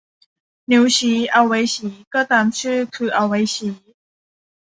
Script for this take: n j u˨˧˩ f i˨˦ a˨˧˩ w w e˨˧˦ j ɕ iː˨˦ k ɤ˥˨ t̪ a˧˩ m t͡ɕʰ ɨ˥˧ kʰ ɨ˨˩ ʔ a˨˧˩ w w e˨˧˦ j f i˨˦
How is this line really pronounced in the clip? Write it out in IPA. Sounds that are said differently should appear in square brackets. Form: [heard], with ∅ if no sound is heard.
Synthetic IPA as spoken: n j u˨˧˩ [ɕ] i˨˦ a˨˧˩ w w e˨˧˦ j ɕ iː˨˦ k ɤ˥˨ t̪ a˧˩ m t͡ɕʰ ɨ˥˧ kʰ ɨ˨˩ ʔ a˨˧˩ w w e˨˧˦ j [ɕ] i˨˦